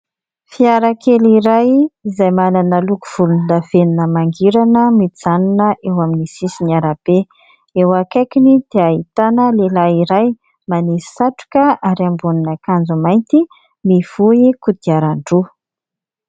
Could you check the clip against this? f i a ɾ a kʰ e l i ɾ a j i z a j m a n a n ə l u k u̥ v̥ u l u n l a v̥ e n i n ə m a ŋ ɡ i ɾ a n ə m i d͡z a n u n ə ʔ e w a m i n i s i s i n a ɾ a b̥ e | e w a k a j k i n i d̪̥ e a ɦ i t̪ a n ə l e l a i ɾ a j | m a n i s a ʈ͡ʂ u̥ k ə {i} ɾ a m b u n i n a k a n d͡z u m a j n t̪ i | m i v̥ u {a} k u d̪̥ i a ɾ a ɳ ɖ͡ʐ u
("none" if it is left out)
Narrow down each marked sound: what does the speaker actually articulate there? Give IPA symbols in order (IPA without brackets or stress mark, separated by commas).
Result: a, i